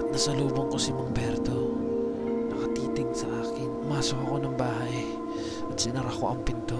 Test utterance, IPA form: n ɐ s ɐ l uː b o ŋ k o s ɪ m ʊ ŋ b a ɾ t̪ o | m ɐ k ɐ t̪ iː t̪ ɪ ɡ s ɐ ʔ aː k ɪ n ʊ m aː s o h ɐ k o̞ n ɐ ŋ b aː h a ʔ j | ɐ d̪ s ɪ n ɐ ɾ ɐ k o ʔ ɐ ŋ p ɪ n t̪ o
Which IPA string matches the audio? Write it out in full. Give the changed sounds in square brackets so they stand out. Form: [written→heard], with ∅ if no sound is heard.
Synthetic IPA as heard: n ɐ s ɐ l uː b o ŋ k o s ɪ m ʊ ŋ b [a→ɛ] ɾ t̪ o | [m→n] ɐ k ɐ t̪ iː t̪ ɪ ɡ s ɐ ʔ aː k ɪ n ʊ m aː s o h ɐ k o̞ n ɐ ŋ b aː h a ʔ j | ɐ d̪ s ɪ n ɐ ɾ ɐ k o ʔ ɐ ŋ p ɪ n t̪ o